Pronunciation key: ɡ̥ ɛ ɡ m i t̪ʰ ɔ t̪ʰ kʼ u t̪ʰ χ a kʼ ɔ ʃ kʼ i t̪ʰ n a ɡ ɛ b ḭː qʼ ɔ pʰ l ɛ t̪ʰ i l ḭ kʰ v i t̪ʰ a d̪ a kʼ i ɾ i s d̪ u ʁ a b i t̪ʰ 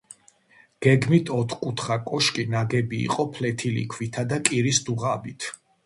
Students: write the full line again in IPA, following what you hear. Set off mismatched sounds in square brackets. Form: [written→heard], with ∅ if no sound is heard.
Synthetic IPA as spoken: ɡ̥ ɛ ɡ m i t̪ʰ ɔ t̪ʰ kʼ u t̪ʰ χ a kʼ ɔ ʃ kʼ i [t̪ʰ→∅] n a ɡ ɛ b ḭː qʼ ɔ pʰ l ɛ t̪ʰ i l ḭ kʰ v i t̪ʰ a d̪ a kʼ i ɾ i s d̪ u ʁ a b i t̪ʰ